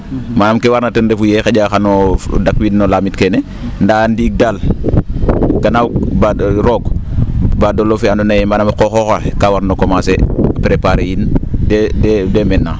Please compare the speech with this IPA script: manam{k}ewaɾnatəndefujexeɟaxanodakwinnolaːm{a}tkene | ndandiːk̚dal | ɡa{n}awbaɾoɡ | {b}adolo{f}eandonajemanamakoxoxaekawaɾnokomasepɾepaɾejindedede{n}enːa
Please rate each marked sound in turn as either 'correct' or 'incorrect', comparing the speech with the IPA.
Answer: correct, incorrect, correct, correct, correct, incorrect

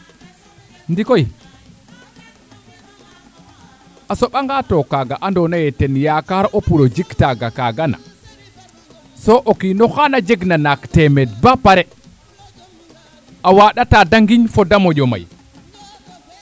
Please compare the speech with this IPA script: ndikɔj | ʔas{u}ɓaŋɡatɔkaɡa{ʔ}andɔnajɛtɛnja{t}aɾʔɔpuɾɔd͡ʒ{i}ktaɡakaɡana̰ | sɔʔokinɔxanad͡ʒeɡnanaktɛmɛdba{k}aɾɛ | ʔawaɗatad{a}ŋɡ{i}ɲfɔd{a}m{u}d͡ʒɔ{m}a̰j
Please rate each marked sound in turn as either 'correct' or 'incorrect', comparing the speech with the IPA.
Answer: incorrect, correct, incorrect, correct, incorrect, correct, correct, correct, incorrect, correct

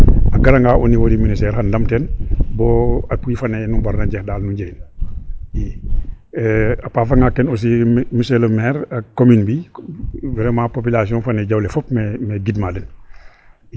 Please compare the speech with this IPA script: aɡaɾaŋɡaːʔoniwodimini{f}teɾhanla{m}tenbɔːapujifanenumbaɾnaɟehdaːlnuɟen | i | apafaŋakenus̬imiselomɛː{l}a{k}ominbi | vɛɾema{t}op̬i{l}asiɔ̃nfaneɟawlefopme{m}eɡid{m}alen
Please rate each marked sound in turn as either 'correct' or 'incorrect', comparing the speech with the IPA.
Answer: incorrect, correct, incorrect, correct, incorrect, correct, correct, correct

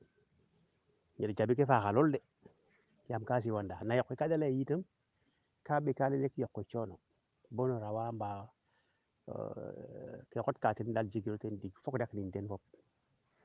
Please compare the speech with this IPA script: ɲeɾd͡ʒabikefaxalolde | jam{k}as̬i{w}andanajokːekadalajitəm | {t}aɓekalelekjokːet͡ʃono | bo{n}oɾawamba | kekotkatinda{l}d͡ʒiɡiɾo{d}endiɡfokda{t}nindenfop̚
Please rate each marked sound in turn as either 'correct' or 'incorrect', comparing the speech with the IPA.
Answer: correct, correct, incorrect, correct, correct, incorrect, incorrect

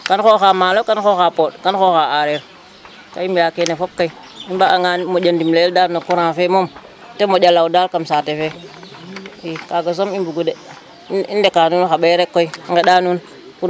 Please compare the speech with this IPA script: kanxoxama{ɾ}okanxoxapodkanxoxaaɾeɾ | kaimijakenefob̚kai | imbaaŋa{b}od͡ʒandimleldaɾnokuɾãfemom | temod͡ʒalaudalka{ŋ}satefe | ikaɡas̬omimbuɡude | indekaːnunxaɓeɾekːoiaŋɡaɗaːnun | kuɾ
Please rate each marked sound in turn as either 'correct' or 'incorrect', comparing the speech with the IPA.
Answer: incorrect, incorrect, incorrect

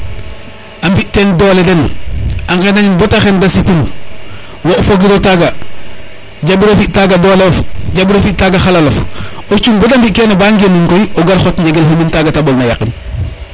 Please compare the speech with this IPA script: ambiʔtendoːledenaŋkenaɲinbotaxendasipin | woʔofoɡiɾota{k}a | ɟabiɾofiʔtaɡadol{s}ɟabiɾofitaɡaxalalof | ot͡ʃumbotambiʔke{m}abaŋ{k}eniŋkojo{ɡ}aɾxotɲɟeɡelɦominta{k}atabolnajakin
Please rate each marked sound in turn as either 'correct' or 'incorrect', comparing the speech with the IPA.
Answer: incorrect, incorrect, incorrect, incorrect, correct, incorrect

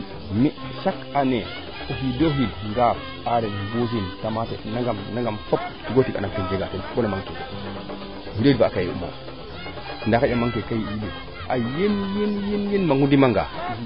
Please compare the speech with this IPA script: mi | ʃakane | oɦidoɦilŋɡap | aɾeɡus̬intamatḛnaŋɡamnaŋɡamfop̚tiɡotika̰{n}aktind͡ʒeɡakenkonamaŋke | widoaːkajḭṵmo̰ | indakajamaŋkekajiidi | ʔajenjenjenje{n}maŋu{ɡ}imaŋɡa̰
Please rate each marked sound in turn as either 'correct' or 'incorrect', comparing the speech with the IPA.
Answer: correct, correct, incorrect

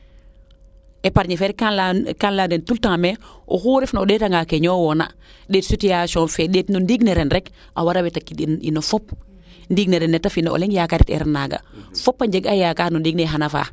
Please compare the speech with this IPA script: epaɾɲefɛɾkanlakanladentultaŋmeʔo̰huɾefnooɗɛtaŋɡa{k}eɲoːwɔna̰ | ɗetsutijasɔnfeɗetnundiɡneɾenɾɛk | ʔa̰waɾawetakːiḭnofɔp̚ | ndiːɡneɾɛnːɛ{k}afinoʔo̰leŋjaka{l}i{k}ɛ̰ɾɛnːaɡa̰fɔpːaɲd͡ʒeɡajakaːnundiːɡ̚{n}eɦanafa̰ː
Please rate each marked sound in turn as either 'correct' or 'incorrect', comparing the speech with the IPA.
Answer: correct, incorrect, incorrect, incorrect, correct

